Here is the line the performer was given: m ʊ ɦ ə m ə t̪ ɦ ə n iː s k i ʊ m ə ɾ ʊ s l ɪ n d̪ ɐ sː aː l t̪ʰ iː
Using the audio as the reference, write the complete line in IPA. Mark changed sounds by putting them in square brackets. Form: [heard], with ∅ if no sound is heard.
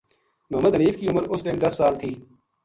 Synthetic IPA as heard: m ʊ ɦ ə m ə [d̪] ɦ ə n iː [f] k i ʊ m ə ɾ ʊ s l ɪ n d̪ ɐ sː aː l t̪ʰ iː